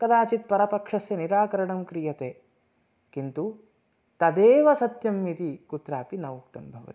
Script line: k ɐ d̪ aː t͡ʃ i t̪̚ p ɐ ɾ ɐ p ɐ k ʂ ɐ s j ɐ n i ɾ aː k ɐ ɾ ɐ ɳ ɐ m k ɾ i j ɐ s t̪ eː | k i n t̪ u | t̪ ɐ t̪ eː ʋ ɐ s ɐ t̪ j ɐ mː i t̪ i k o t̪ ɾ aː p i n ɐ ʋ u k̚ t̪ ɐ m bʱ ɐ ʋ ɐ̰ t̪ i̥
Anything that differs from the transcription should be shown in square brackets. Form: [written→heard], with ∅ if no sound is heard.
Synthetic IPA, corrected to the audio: k ɐ d̪ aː t͡ʃ i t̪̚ p ɐ ɾ ɐ p ɐ k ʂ ɐ s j ɐ n i ɾ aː k ɐ ɾ ɐ ɳ ɐ m k ɾ i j ɐ [s→∅] t̪ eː | k i n t̪ u | t̪ ɐ [t̪→d̪] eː ʋ ɐ s ɐ t̪ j ɐ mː i t̪ i k [o→u] t̪ ɾ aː p i n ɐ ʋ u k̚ t̪ ɐ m bʱ ɐ ʋ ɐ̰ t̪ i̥